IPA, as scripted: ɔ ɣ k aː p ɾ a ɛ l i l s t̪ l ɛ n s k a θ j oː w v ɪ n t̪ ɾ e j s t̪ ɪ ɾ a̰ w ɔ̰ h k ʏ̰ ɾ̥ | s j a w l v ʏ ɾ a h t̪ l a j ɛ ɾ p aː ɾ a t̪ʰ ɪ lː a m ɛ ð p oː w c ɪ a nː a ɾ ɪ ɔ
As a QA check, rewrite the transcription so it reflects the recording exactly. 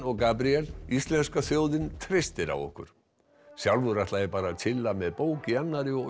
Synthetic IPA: ɔ ɣ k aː p ɾ i ɛ l i s t̪ l ɛ n s k a θ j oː w ð ɪ n t̪ʰ ɾ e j s t̪ ɪ ɾ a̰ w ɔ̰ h k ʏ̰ ɾ̥ | s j a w l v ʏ ɾ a h t̪ l a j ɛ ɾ p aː ɾ a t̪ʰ ɪ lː a m ɛ ð p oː w c ɪ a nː a ɾ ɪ ɔ